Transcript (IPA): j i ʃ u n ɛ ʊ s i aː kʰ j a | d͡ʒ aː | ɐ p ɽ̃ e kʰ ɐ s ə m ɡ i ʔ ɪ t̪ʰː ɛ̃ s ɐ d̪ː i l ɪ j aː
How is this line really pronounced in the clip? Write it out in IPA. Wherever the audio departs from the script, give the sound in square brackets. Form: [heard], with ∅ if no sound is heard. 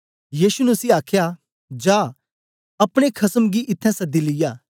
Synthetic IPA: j [iː] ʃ u n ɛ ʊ s i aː kʰ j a | d͡ʒ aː | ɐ p ɽ̃ e kʰ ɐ s ə m ɡ i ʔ ɪ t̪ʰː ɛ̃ s ɐ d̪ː i l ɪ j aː